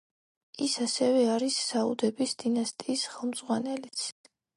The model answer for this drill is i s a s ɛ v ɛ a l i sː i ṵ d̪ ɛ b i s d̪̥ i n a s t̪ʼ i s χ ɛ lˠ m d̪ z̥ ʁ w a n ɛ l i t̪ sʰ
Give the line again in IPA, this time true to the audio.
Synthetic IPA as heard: i s a s ɛ v ɛ a ɾ i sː a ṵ d̪ ɛ b i s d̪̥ i n a s t̪ʼ iː s χ ɛ lˠ m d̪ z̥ ʁ w a n ɛ l i t̪ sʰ